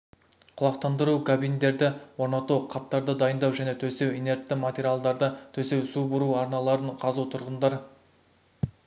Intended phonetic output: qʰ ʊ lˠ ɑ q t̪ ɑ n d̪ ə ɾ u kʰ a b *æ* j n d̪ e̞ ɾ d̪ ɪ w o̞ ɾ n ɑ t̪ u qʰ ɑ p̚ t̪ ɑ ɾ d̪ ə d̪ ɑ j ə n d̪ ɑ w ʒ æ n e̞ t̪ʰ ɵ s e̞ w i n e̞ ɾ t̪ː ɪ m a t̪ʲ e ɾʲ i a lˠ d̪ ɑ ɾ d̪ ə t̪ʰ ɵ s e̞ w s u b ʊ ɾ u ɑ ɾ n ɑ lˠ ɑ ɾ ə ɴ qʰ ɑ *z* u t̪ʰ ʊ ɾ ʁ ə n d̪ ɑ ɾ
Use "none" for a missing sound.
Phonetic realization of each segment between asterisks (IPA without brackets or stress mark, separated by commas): i, z